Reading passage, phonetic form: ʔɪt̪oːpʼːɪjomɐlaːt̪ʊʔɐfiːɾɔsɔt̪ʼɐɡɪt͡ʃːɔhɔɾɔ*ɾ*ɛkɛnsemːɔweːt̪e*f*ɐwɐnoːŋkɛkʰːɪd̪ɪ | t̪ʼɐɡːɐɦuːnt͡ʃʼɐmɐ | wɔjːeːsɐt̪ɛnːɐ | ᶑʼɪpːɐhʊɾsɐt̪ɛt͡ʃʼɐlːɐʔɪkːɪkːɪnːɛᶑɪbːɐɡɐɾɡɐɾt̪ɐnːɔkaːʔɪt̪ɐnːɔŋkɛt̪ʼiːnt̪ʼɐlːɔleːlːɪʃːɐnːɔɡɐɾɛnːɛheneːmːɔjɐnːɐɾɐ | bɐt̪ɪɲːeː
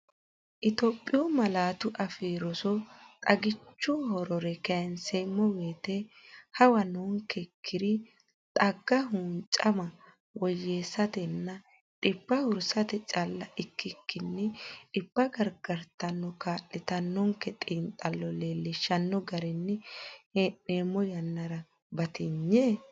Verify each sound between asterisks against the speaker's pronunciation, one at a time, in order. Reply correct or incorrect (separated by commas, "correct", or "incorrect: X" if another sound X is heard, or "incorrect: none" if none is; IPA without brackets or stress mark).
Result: correct, incorrect: h